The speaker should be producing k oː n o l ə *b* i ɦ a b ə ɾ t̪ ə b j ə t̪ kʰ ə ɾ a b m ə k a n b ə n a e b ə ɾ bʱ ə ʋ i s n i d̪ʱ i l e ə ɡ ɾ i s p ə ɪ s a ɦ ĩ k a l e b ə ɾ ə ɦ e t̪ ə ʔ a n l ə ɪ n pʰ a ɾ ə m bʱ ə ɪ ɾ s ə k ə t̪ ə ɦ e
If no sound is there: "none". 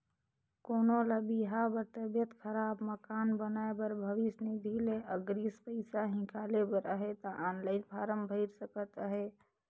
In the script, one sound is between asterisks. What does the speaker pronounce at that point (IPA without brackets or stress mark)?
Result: b